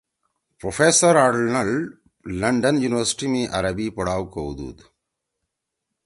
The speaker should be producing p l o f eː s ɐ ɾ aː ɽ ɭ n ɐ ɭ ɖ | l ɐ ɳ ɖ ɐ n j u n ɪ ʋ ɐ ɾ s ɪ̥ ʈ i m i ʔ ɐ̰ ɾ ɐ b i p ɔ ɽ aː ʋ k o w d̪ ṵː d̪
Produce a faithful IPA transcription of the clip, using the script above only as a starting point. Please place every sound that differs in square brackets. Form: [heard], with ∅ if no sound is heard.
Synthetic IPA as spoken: p [ɾ] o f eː s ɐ ɾ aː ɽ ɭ n ɐ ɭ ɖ | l ɐ ɳ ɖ ɐ n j u n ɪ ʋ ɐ ɾ s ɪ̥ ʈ i m i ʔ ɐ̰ ɾ ɐ b i p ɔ ɽ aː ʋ k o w d̪ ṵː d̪